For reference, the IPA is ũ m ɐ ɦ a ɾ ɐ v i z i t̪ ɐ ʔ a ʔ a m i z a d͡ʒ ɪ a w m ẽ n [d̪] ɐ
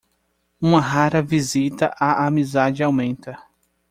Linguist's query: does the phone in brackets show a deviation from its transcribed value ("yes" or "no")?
yes